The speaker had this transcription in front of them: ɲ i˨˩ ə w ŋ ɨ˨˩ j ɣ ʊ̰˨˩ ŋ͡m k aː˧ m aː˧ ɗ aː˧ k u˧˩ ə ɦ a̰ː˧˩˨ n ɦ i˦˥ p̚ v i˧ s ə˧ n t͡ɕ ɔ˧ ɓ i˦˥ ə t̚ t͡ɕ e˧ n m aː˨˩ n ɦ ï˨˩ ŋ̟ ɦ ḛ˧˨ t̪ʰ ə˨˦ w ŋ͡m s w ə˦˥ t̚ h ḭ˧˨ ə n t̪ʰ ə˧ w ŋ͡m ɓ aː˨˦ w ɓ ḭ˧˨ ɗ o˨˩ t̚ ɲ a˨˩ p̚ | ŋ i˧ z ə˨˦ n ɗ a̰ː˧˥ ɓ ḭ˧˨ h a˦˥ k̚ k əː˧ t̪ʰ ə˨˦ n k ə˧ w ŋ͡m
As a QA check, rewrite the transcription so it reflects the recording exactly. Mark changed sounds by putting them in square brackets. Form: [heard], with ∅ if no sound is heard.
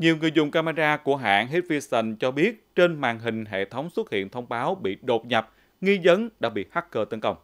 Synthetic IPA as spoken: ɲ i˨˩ ə w ŋ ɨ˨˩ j [z] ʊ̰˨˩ ŋ͡m k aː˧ m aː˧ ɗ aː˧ k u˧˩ ə ɦ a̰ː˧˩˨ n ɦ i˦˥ [t̚] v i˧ s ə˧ n t͡ɕ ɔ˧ ɓ i˦˥ ə t̚ t͡ɕ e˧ n m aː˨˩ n ɦ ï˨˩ ŋ̟ ɦ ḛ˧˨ t̪ʰ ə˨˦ w ŋ͡m s w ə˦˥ t̚ h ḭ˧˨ ə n t̪ʰ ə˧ w ŋ͡m ɓ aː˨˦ w ɓ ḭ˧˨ ɗ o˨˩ t̚ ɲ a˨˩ p̚ | ŋ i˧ z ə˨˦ n ɗ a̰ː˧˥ ɓ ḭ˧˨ h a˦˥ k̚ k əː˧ [t̪] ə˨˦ n k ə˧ w ŋ͡m

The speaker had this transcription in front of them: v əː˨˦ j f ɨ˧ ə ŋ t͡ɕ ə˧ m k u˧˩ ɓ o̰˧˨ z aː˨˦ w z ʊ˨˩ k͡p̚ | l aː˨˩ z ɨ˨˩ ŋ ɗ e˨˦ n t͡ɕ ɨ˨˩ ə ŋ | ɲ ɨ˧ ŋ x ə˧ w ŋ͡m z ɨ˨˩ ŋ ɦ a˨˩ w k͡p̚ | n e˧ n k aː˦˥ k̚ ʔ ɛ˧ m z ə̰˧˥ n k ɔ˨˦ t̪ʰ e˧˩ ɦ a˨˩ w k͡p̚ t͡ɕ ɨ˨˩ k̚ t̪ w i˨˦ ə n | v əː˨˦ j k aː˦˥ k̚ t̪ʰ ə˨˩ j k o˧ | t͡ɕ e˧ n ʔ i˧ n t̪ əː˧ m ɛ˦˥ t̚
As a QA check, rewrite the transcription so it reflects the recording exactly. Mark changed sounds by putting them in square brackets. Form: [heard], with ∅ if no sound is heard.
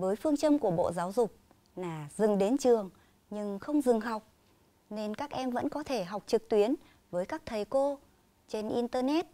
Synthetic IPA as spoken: v əː˨˦ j f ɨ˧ ə ŋ t͡ɕ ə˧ m k u˧˩ ɓ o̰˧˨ z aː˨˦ w z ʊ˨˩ k͡p̚ | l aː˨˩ z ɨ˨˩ ŋ ɗ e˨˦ n t͡ɕ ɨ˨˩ ə ŋ | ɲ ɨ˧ ŋ x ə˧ w ŋ͡m z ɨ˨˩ ŋ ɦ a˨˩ w k͡p̚ | n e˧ n k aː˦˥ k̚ ʔ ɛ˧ m [v] ə̰˧˥ n k ɔ˨˦ t̪ʰ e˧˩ ɦ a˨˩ w k͡p̚ t͡ɕ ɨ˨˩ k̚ t̪ w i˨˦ ə n | v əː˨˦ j k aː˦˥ k̚ t̪ʰ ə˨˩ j k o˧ | t͡ɕ e˧ n ʔ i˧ n t̪ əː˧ [n] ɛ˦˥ t̚

